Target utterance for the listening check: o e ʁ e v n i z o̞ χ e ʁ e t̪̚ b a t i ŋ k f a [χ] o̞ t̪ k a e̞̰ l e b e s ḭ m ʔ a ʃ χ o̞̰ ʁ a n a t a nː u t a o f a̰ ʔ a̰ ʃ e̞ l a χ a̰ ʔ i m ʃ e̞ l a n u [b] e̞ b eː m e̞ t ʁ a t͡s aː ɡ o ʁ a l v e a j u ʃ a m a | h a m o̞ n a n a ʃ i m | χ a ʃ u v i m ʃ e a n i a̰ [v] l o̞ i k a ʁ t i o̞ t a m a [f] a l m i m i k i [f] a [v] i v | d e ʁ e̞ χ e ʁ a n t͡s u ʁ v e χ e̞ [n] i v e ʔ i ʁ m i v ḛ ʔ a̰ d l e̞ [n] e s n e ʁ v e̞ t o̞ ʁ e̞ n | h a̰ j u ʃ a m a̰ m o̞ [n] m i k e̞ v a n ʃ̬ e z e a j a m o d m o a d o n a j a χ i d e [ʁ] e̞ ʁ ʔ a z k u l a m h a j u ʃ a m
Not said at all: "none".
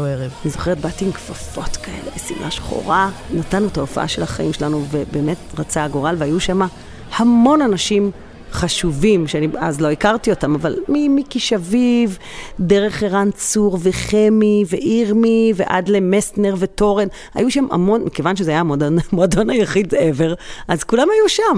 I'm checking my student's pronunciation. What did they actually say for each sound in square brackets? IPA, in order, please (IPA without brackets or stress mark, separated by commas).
f, v, z, v, ʃ, v, m, m, n, v